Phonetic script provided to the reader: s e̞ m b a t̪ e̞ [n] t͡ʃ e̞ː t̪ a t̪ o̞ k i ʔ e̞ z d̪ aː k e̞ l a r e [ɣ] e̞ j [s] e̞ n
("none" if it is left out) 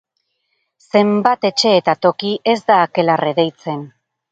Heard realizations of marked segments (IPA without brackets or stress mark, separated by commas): none, ð, t͡s